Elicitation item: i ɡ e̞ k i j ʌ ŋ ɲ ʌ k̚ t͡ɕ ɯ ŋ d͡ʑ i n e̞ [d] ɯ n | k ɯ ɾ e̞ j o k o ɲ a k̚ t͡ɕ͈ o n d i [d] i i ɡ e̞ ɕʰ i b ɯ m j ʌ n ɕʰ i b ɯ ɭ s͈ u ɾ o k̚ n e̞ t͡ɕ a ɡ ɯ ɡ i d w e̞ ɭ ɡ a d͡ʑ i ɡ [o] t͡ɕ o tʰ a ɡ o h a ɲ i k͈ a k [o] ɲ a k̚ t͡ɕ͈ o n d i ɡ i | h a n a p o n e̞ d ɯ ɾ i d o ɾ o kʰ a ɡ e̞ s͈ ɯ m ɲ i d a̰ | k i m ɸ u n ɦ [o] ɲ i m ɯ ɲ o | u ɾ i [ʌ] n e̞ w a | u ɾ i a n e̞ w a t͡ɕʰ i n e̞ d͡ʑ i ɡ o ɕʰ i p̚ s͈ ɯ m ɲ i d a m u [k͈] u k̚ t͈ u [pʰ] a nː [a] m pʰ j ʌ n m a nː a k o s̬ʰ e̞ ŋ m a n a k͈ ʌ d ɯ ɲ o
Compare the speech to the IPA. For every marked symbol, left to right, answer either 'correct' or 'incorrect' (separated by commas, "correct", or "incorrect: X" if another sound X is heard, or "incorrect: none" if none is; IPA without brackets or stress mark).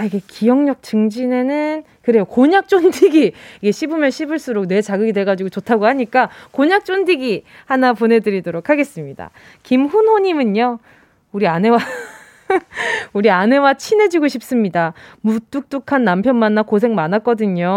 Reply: incorrect: n, incorrect: ɡ, correct, correct, correct, incorrect: a, incorrect: t͈, incorrect: kʰ, correct